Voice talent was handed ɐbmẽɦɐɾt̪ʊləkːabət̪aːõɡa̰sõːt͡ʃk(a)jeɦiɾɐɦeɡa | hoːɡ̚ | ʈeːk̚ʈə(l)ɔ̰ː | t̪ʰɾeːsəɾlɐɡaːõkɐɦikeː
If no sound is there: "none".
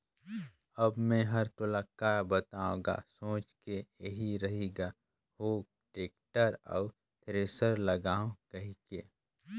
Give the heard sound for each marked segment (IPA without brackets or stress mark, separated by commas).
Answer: e, ɾ